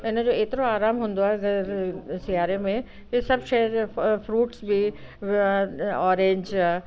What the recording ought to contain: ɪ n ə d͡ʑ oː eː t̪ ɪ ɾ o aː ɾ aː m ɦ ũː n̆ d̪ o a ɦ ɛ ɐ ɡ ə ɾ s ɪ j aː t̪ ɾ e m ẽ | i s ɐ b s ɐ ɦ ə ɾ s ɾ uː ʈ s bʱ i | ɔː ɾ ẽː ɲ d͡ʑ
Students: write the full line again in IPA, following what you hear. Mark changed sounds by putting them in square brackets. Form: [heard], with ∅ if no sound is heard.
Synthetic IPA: ɪ n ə d͡ʑ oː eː t̪ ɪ ɾ o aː ɾ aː m ɦ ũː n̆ d̪ o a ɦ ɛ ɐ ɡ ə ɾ s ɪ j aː [∅] ɾ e m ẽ | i s ɐ b [ʃ] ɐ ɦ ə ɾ [f] ɾ uː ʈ s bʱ i | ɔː ɾ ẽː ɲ d͡ʑ